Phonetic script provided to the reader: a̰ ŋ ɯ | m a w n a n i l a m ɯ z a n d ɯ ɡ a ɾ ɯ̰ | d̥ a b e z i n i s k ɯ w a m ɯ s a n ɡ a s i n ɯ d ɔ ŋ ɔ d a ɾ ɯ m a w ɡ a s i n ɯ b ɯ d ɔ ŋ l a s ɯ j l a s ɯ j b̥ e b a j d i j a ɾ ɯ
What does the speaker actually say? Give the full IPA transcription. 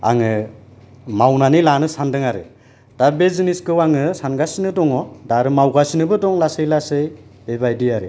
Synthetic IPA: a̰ ŋ ɯ | m a w n a n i l a n ɯ s a n d ɯ ŋ a ɾ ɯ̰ | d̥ a b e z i n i s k ɯ w a ŋ ɯ s a n ɡ a s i n ɯ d ɔ ŋ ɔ d a ɾ ɯ m a w ɡ a s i n ɯ b ɯ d ɔ ŋ l a s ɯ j l a s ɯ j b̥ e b a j d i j a ɾ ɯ